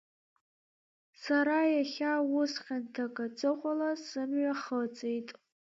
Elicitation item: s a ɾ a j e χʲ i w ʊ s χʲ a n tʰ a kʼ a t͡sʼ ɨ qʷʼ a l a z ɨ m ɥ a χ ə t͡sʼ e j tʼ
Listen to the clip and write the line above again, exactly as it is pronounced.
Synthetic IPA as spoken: s a ɾ a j a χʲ a w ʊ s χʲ a n tʰ a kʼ a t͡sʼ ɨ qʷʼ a l a s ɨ m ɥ a χ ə t͡sʼ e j tʼ